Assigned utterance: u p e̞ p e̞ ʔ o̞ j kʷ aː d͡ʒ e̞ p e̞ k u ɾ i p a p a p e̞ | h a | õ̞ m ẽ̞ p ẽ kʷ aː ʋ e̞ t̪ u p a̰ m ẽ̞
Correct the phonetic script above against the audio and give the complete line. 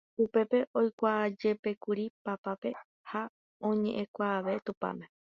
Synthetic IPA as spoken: u p e̞ p e̞ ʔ o̞ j kʷ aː d͡ʒ e̞ p e̞ k u ɾ i p a p a p e̞ | h a | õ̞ ɲ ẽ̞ ʔ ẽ kʷ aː ʋ e̞ t̪ u p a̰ m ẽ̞